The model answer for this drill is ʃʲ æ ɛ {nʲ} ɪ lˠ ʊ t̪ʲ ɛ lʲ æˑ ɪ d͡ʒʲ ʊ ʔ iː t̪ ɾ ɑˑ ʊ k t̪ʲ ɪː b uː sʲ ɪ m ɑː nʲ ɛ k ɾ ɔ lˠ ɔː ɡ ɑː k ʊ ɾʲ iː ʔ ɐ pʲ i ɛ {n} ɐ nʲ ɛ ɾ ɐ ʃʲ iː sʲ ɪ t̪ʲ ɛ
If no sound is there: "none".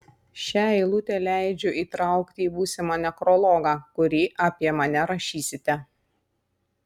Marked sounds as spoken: none, m

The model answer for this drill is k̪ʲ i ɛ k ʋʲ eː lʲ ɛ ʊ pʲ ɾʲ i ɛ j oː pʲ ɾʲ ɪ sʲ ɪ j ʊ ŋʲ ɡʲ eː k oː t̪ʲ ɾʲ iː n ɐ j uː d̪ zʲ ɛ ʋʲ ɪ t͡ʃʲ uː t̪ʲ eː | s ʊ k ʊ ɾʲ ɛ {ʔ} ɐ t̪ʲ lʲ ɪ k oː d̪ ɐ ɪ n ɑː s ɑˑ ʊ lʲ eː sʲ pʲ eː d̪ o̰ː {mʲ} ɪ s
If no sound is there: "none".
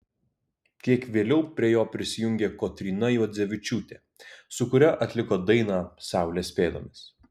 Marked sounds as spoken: ʔ, mʲ

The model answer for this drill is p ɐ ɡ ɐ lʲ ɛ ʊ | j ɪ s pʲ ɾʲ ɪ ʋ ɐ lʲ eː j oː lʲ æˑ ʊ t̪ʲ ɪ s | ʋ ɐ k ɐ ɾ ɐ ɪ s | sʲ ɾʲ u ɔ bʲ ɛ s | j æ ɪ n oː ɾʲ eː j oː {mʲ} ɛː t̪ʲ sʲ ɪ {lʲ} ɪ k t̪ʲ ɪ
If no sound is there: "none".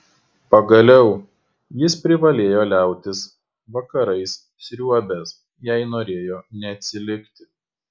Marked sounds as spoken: nʲ, lʲ

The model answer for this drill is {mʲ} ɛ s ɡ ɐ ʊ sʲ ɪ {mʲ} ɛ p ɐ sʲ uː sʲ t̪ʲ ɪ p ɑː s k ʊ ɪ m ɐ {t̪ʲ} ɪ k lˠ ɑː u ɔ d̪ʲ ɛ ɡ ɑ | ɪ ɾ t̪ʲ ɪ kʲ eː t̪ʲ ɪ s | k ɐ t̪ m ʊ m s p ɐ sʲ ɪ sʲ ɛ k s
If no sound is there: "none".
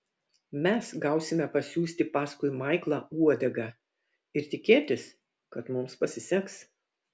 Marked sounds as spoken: mʲ, mʲ, none

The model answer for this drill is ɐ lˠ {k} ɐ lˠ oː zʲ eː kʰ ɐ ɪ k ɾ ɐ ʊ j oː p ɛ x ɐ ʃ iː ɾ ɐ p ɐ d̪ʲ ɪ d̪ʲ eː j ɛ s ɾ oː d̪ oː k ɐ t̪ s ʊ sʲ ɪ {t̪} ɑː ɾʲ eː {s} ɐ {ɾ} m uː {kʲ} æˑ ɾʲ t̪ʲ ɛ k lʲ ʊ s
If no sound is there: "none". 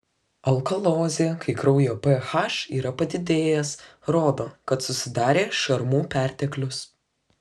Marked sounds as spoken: k, d̪, ʃ, ɾ, pʲ

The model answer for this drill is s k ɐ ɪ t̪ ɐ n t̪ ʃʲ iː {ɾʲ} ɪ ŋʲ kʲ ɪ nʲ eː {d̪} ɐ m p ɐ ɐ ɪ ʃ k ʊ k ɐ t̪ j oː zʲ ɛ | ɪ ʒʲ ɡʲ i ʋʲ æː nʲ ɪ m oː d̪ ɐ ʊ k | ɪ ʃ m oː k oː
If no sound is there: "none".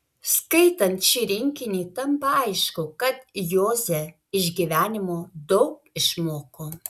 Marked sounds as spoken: ɾʲ, t̪

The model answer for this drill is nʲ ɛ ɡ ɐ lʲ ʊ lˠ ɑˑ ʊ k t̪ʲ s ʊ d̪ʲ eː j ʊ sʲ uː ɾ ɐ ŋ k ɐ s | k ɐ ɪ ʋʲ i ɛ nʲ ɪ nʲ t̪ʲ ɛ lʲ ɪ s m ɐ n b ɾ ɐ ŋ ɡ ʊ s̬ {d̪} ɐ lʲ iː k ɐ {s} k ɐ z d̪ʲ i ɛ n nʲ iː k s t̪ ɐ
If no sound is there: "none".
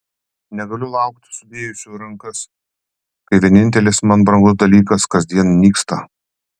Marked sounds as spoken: d̪, s

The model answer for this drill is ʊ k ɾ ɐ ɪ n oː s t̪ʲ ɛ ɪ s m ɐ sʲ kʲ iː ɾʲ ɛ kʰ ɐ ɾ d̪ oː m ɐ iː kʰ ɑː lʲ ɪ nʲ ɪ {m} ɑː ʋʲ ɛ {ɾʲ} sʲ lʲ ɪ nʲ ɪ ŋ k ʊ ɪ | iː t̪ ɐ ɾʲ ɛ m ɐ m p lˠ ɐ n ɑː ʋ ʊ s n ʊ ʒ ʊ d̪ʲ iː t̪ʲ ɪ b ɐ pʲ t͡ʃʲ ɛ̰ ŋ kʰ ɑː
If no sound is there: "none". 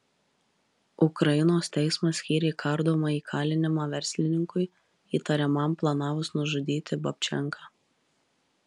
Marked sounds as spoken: m, ɾʲ

